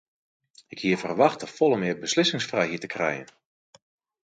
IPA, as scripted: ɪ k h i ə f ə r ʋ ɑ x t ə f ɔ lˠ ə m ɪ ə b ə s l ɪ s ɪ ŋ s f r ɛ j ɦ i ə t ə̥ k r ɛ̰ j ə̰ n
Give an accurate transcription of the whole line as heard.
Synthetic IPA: ɪ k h i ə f ə r ʋ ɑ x t ə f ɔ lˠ ə m ɪ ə b ə s l ɪ s ɪ ŋ s f r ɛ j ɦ i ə t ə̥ k r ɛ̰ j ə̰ n